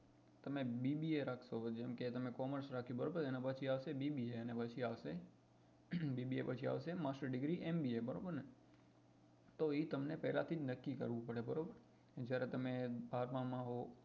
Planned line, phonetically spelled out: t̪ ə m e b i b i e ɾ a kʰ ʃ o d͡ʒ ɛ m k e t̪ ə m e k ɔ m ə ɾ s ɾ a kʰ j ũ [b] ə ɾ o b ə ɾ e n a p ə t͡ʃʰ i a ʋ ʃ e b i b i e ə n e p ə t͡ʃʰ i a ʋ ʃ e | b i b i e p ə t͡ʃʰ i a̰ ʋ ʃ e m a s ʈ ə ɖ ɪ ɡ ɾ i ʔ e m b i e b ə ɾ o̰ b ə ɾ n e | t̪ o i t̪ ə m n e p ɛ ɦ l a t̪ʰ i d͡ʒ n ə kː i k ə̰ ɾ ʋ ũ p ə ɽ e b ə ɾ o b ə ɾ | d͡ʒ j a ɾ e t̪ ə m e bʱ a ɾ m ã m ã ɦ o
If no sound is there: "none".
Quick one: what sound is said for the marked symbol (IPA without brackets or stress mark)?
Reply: b